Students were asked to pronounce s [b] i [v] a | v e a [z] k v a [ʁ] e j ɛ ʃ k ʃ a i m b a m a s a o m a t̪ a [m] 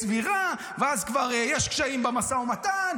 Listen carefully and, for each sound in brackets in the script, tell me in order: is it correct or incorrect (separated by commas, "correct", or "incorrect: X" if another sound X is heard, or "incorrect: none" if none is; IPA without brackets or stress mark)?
incorrect: v, incorrect: ʁ, correct, correct, incorrect: n